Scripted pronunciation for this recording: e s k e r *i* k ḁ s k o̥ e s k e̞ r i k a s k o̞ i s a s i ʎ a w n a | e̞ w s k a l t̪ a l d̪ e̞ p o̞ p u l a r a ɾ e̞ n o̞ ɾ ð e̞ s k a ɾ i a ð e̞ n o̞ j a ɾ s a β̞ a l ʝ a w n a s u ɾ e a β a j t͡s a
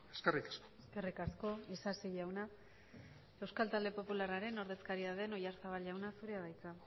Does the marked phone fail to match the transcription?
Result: no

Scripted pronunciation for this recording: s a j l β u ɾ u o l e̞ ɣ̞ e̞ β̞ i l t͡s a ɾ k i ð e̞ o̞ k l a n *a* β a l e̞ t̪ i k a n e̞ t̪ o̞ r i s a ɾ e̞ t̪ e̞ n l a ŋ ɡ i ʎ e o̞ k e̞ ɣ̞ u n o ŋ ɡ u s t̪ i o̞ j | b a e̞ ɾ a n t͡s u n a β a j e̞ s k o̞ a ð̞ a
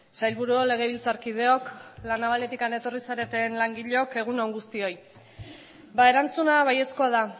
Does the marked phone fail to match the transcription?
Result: no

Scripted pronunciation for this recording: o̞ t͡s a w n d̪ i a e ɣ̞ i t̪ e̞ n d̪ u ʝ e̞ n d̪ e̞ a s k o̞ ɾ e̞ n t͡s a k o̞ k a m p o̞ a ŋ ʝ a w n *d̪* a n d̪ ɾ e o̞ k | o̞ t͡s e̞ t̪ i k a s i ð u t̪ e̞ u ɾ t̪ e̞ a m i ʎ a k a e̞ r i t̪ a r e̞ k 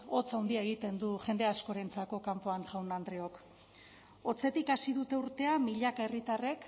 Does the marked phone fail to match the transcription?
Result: no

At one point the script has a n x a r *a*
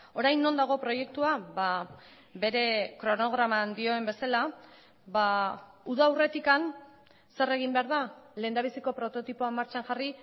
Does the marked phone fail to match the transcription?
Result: yes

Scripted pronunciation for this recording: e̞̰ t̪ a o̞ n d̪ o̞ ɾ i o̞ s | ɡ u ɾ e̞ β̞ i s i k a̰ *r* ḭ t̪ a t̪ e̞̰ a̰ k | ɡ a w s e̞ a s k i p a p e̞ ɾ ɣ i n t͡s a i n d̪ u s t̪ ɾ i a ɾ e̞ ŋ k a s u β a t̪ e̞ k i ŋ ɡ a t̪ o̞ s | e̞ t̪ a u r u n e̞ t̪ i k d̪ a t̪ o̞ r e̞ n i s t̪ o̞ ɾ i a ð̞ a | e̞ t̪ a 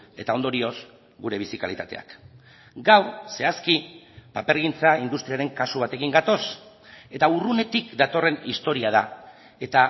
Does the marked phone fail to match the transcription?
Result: yes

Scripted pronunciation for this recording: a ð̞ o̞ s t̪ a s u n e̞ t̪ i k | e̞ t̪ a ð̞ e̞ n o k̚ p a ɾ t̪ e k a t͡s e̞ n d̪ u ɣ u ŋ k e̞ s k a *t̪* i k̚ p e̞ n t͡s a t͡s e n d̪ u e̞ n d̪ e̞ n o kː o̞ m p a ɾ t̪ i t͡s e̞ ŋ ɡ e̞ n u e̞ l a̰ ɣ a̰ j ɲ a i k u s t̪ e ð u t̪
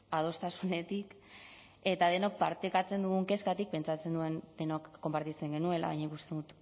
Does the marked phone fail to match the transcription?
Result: no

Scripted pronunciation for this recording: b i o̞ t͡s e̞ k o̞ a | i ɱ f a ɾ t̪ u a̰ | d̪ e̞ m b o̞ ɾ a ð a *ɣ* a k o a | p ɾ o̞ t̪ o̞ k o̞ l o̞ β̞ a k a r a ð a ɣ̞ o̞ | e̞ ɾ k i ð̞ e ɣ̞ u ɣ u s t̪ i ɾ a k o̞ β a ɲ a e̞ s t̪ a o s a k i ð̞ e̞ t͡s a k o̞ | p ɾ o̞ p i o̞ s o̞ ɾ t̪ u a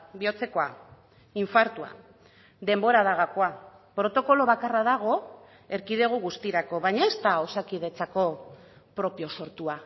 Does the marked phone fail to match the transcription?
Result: no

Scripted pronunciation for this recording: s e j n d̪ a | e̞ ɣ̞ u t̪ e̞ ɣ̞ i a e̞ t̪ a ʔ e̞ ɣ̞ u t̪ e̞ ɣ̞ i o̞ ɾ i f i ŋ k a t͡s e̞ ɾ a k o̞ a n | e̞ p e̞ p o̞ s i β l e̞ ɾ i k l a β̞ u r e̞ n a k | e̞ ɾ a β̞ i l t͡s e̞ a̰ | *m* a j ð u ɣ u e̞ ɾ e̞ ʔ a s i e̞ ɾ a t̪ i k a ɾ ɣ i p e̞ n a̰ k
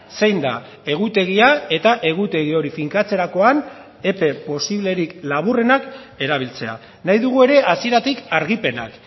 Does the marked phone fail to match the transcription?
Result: yes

